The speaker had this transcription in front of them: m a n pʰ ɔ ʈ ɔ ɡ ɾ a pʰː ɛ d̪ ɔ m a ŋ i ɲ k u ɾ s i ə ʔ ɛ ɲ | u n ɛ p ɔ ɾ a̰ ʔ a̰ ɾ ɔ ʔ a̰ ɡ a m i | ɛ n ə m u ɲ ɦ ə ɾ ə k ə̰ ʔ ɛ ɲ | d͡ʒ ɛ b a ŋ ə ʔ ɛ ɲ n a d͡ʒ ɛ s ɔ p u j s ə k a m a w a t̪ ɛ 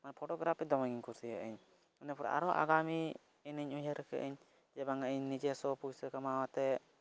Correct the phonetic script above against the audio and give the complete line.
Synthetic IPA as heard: m a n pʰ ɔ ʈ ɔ ɡ ɾ a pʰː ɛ d̪ ɔ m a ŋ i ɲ k u ɾ s i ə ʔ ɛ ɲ | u n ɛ p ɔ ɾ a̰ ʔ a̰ ɾ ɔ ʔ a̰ ɡ a m i | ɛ n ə ɲ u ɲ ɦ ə ɾ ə k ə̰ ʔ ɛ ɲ | d͡ʒ ɛ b a ŋ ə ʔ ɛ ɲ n i d͡ʒ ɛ s ɔ p u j s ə k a m a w a t̪ ɛ